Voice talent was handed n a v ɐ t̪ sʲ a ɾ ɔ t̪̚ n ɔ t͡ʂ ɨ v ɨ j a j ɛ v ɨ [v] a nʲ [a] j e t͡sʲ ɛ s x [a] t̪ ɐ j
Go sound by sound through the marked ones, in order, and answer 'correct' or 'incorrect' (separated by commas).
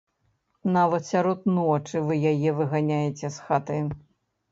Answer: incorrect, correct, correct